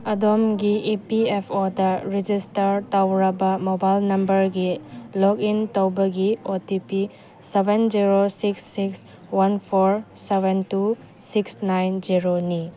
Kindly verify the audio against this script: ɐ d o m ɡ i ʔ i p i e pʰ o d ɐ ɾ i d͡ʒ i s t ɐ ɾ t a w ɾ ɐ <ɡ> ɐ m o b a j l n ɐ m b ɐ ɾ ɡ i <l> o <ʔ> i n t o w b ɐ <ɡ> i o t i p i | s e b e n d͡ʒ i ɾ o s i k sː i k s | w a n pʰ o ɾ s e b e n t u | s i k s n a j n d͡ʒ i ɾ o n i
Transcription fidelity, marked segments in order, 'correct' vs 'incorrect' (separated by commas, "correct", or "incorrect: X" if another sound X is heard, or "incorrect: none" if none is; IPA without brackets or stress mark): incorrect: b, correct, incorrect: k, correct